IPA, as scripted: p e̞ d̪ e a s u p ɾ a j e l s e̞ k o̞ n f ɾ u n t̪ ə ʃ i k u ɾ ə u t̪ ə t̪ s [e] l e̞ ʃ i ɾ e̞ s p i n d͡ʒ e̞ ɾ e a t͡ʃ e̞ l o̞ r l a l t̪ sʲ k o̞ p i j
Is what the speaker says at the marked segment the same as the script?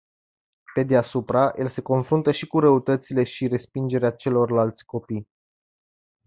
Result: no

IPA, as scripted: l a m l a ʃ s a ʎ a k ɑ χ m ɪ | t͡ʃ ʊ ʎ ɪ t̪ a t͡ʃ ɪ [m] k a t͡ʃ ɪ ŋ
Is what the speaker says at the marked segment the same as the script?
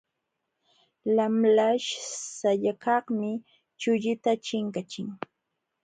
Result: no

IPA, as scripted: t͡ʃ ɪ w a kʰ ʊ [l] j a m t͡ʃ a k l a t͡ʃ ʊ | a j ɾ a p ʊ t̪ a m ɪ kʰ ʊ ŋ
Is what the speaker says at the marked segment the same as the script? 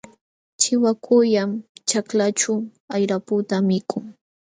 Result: no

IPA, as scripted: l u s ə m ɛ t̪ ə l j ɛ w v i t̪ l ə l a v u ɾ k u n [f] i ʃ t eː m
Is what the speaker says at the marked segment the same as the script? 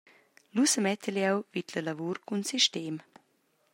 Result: no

